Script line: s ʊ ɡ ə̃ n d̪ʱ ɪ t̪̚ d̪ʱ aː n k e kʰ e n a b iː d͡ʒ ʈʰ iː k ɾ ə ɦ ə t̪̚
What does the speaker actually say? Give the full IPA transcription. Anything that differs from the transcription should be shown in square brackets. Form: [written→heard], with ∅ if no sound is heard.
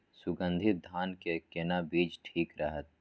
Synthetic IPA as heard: s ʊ ɡ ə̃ n d̪ʱ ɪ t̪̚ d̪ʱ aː n k e [kʰ→k] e n a b iː d͡ʒ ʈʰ iː k ɾ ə ɦ ə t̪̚